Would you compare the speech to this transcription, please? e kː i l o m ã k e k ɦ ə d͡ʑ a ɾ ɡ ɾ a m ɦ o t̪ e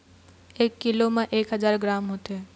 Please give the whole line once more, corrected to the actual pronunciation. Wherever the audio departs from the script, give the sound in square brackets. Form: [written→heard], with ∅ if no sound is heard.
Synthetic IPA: e kː i l o m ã [k→ʔ] e k ɦ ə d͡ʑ a ɾ ɡ ɾ a m ɦ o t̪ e